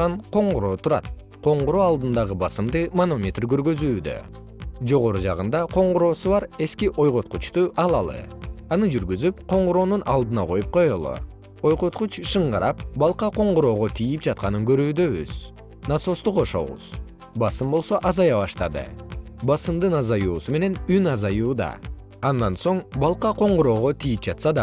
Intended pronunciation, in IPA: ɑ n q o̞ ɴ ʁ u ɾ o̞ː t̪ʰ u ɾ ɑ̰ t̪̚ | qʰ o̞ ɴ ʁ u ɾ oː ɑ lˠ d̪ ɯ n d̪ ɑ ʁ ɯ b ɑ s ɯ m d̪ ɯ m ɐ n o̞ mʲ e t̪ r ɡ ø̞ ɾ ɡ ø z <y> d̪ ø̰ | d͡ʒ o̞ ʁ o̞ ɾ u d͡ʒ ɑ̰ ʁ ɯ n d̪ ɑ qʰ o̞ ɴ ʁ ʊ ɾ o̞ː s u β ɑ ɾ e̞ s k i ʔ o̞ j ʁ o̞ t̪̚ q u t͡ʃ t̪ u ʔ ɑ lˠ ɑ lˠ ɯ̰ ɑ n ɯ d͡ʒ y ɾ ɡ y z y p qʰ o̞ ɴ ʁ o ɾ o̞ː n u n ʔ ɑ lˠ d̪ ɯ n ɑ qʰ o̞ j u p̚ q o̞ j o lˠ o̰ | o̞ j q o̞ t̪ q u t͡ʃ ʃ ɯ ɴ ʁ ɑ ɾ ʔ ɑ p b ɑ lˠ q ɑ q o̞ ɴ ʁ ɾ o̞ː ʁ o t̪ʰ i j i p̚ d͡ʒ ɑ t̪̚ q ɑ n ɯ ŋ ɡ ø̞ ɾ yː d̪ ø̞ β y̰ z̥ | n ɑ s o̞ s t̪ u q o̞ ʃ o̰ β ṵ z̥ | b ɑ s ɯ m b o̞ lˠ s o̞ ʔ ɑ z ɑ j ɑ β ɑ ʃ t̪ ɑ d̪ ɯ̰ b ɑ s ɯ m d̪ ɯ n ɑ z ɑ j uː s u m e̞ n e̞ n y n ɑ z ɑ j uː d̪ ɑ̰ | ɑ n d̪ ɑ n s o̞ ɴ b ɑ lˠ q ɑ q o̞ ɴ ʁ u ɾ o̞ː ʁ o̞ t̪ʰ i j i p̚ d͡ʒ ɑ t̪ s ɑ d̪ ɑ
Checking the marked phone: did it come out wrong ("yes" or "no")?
yes